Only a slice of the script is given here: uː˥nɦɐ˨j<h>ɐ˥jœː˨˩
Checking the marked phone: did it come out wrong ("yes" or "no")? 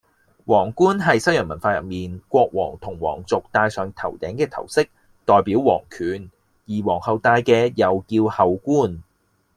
yes